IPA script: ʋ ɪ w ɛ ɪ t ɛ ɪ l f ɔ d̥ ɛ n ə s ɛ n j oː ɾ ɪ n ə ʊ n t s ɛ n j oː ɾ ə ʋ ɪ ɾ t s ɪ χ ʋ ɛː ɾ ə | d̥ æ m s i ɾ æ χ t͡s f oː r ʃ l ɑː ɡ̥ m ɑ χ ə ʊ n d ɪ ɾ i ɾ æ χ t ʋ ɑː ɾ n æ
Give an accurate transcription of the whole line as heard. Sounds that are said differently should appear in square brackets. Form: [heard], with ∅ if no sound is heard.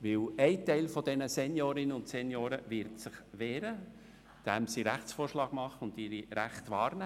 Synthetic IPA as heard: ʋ ɪ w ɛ ɪ t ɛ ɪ l f ɔ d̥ ɛ n ə s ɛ n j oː ɾ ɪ n ə ʊ n t s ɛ n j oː ɾ ə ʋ ɪ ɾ t s ɪ χ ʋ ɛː ɾ ə | d̥ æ m s i ɾ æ χ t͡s f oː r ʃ l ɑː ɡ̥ m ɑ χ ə ʊ n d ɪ ɾ i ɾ æ χ t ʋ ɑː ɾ n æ